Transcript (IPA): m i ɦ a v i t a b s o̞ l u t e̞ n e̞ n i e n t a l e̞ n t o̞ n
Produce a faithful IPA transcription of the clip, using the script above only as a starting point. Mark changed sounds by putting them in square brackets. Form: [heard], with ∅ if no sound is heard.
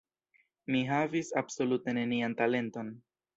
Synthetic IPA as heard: m i ɦ a v i [s] a b s o̞ l u t e̞ n e̞ n i [a] n t a l e̞ n t o̞ n